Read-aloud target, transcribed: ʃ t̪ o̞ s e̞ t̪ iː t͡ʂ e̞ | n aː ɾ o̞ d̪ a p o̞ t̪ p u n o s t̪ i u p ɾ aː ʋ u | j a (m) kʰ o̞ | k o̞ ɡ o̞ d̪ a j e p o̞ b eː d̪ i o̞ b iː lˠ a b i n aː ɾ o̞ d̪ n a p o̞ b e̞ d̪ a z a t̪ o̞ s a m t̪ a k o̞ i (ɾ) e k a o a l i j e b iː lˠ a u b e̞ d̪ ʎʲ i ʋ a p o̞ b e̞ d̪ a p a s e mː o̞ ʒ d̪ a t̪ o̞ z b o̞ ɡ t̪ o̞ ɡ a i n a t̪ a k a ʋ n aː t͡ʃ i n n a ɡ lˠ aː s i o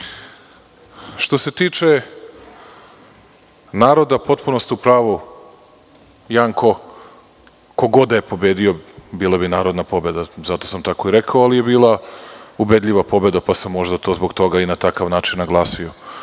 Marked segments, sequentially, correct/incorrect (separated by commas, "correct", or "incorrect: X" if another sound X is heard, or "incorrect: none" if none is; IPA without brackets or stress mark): incorrect: ŋ, correct